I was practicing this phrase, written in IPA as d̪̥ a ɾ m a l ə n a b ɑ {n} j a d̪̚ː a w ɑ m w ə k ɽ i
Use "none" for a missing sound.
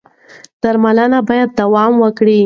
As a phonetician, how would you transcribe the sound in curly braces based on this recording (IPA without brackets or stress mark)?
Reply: none